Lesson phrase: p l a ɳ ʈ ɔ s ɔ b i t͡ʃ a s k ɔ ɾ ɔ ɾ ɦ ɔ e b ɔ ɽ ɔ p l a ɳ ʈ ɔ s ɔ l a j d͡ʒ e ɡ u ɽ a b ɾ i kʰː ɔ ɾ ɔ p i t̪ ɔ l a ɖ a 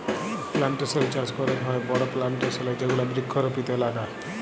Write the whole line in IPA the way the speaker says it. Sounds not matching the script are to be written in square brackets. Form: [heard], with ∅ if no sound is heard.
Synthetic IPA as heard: p l a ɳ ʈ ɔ s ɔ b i t͡ʃ a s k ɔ ɾ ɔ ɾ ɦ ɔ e b ɔ ɽ ɔ p l a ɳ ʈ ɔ s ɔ l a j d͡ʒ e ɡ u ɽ a b ɾ i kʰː ɔ ɾ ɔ p i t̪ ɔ l a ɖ a